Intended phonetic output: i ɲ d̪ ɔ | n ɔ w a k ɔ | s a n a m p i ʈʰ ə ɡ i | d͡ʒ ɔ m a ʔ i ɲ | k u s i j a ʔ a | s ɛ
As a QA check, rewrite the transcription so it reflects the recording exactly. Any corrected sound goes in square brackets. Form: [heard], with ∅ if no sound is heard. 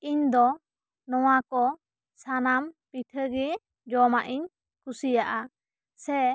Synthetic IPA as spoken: i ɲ d̪ ɔ | n ɔ w a k ɔ | s a n a m p i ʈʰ ə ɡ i | d͡ʒ ɔ m a ʔ i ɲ | k u s i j a ʔ a | s ɛ